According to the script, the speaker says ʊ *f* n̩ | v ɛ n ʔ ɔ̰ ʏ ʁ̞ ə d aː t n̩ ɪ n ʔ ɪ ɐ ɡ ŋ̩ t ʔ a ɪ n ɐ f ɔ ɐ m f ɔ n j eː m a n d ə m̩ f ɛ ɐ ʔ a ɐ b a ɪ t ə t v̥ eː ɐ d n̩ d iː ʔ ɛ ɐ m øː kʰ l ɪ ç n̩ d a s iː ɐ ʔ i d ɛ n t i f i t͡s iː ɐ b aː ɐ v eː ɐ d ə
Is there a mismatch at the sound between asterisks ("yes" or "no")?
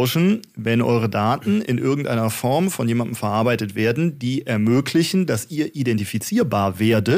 yes